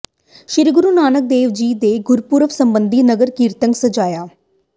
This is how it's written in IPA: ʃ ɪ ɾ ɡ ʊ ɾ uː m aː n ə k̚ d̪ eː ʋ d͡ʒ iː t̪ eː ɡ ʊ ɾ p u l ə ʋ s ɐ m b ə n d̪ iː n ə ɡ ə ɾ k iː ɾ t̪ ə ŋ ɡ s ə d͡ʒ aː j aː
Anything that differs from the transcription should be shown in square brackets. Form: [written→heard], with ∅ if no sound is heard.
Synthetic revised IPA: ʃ ɪ ɾ ɡ ʊ ɾ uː [m→n] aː n ə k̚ d̪ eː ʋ d͡ʒ iː [t̪→d̪] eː ɡ ʊ ɾ p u [l→ɾ] ə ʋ s [ɐ→ə] m b ə n d̪ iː n ə ɡ ə ɾ k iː ɾ t̪ ə ŋ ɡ s ə d͡ʒ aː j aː